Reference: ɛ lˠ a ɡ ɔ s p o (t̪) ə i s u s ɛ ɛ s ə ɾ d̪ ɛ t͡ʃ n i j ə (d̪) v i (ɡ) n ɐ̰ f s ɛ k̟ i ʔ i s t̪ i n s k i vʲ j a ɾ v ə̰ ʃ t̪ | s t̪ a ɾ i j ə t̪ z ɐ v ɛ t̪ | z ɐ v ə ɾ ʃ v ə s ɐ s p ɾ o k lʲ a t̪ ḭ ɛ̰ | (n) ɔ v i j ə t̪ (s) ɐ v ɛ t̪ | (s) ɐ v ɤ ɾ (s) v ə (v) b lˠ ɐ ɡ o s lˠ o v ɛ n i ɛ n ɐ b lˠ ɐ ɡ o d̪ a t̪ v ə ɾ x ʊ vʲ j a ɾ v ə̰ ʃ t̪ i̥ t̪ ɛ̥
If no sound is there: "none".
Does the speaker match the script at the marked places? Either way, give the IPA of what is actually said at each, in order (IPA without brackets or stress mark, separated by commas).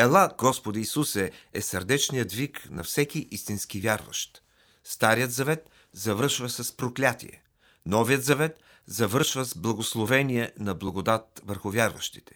d̪, d̪, k, n, z, z, ʃ, z